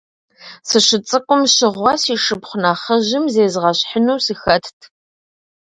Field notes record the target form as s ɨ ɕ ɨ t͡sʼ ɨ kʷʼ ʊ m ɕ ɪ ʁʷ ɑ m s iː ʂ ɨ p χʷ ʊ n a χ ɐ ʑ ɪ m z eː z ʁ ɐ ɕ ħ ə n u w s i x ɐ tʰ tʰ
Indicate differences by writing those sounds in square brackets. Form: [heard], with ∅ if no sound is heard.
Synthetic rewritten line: s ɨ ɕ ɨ t͡sʼ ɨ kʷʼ ʊ m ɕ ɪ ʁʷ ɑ [∅] s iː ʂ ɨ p χʷ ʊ n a χ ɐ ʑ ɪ m z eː z ʁ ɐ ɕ ħ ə n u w s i x ɐ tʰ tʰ